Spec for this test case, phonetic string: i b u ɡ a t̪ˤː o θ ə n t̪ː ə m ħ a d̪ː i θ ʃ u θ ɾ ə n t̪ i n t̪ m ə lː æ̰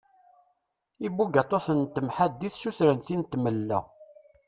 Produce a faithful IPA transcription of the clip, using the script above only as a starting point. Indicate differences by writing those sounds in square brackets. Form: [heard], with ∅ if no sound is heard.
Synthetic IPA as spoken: i b u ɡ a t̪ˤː o θ ə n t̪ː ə m ħ a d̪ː i θ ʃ u θ ɾ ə n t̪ i n t̪ m ə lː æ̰